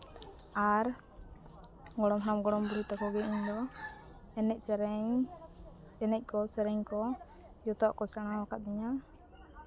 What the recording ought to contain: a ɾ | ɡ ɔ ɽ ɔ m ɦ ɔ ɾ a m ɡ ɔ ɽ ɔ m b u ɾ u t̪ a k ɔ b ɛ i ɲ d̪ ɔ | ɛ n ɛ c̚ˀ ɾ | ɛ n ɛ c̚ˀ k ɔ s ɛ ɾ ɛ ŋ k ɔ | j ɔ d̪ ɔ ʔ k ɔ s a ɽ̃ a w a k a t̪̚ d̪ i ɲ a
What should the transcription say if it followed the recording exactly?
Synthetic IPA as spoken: a ɾ | ɡ ɔ ɽ ɔ m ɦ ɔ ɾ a m ɡ ɔ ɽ ɔ m b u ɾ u t̪ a k ɔ ɡ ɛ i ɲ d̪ ɔ | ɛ n ɛ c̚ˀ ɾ | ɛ n ɛ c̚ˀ k ɔ s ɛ ɾ ɛ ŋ k ɔ | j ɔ t̪ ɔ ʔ k ɔ s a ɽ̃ a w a k a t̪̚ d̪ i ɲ a